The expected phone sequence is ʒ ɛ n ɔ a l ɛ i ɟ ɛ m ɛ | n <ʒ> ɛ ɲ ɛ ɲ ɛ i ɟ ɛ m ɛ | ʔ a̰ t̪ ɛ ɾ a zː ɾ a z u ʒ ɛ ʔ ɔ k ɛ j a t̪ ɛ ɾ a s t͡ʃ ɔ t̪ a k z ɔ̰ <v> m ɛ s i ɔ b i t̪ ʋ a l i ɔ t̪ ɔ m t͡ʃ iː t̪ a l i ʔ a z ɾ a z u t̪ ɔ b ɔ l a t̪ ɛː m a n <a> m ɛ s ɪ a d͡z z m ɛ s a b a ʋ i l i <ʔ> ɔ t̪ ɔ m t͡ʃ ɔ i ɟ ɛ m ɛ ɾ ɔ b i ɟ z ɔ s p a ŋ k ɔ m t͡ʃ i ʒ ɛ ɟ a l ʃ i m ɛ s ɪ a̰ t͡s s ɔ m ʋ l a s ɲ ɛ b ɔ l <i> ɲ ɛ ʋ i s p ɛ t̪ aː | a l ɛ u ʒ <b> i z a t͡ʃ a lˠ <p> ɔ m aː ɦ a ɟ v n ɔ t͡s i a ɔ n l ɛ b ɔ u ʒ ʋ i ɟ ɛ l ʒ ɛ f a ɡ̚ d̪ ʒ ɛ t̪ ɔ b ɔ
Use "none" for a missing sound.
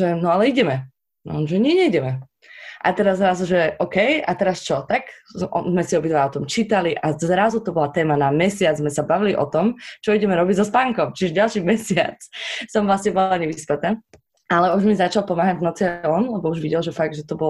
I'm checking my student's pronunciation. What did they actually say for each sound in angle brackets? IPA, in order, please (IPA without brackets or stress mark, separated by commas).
ʒ, z, a, ʔ, a, m, p